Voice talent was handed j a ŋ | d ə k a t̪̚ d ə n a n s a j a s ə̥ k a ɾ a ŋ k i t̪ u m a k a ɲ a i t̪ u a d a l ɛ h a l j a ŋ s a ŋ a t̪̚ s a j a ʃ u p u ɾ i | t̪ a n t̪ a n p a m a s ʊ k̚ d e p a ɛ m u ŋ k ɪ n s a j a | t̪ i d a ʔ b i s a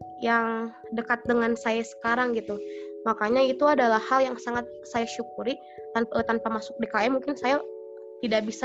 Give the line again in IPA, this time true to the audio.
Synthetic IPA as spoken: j a ŋ | d ə k a t̪̚ d ə ŋ a n s a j a s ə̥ k a ɾ a ŋ ɡ i t̪ u m a k a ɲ a i t̪ u a d a l a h a l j a ŋ s a ŋ a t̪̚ s a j a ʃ u k u ɾ i | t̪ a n t̪ a n p a m a s ʊ k̚ d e k a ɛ m u ŋ k ɪ n s a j a | t̪ i d a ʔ b i s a